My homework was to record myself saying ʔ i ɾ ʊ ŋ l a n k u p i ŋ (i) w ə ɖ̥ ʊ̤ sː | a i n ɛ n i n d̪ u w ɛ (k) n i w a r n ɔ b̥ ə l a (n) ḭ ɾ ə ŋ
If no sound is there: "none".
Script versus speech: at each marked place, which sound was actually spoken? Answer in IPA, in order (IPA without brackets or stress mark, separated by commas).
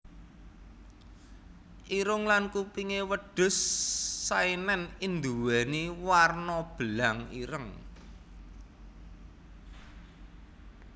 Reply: e, none, ŋ